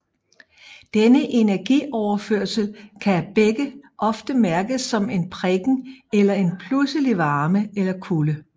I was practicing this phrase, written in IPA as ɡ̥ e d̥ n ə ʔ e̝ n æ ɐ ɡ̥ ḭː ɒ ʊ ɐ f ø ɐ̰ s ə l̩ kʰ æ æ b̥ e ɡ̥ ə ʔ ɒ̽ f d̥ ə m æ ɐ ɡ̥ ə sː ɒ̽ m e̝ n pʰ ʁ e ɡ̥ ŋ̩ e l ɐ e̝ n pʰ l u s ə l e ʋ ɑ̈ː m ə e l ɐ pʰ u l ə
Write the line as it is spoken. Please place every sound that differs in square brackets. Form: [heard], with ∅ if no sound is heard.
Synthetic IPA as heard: [d̥] e [∅] n ə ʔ e̝ n æ ɐ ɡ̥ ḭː ɒ ʊ ɐ f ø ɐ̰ s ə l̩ kʰ æ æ b̥ e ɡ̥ ə ʔ ɒ̽ f d̥ ə m æ ɐ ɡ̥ ə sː ɒ̽ m e̝ n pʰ ʁ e ɡ̥ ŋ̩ e l ɐ e̝ n pʰ l u s ə l [i] ʋ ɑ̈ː m ə e l ɐ [kʰ] u l ə